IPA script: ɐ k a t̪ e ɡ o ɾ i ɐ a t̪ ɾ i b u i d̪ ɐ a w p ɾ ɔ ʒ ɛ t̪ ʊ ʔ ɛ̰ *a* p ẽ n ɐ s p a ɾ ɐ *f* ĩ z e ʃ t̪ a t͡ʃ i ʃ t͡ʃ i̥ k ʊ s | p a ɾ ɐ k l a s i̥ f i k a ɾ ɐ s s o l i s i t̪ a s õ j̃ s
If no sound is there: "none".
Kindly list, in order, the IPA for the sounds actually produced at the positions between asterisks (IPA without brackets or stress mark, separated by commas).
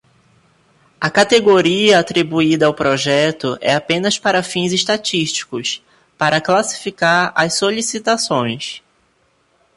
a, f